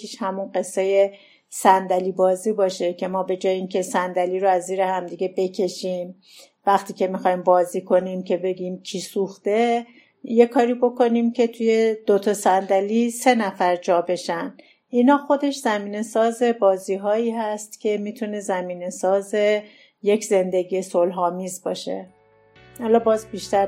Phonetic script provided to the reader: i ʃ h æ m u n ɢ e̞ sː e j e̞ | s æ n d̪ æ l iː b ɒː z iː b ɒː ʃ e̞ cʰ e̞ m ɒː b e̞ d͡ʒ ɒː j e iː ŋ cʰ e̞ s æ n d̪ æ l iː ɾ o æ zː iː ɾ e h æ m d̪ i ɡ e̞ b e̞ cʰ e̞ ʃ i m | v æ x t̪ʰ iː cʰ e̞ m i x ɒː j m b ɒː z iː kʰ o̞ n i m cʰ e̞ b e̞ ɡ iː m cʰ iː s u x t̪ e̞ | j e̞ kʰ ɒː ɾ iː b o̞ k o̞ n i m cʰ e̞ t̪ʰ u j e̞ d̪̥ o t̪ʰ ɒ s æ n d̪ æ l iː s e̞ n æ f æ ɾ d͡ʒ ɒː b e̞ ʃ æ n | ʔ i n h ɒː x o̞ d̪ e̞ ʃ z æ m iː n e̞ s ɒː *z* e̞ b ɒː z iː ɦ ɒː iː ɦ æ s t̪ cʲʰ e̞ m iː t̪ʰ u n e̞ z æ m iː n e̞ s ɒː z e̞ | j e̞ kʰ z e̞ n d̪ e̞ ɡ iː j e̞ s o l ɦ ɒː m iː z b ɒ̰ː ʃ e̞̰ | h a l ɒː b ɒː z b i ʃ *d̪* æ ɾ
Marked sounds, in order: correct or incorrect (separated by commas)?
correct, incorrect